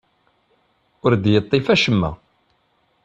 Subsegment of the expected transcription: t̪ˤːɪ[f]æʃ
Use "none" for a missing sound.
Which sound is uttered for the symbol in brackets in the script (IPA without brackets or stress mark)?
f